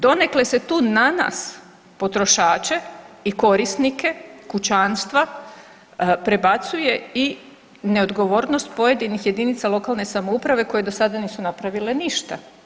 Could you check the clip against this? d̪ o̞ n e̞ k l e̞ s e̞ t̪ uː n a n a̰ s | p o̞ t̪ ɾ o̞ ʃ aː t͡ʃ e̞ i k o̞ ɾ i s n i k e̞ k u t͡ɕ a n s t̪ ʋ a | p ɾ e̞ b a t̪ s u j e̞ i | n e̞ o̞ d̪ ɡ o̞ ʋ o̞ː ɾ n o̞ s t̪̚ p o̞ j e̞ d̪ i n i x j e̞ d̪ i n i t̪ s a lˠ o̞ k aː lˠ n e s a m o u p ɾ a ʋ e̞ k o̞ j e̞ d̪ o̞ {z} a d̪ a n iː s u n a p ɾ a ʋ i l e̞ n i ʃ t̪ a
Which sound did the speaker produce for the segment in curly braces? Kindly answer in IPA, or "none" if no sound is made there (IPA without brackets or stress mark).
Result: s